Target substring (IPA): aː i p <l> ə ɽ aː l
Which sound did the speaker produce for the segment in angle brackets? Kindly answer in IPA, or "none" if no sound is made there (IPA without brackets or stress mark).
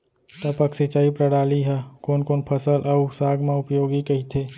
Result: ɾ